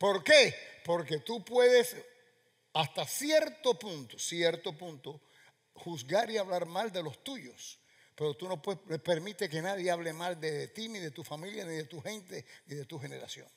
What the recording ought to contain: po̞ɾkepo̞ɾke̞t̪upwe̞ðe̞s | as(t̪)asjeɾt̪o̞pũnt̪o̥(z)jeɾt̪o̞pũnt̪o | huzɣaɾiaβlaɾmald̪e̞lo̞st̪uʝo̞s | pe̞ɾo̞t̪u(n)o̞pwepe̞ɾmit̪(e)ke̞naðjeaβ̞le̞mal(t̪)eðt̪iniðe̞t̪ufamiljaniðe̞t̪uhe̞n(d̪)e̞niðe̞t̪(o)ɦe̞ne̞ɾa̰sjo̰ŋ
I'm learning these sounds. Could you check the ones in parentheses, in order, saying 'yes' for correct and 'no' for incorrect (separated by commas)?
yes, no, yes, yes, no, no, no